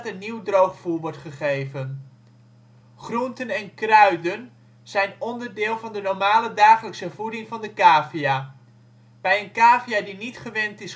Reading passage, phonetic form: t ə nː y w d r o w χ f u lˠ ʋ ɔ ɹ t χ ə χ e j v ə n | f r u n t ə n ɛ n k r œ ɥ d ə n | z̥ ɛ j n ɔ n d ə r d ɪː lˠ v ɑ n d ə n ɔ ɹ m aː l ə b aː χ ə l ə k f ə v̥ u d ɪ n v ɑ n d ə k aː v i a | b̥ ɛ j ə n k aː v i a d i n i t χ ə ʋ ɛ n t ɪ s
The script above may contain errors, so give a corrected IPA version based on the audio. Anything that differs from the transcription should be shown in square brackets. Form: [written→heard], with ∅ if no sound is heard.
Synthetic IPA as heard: t ə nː [y→i] w d r o w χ f u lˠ ʋ ɔ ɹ t χ ə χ e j v ə n | [f→χ] r u n t ə n ɛ n k r œ ɥ d ə n | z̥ ɛ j n ɔ n d ə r d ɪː lˠ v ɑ n d ə n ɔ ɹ m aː l ə [b→d] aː χ ə l ə k [f→s] ə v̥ u d ɪ [n→ŋ] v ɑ n d ə k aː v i a | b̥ ɛ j ə n k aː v i a d i n i t χ ə ʋ ɛ n t ɪ s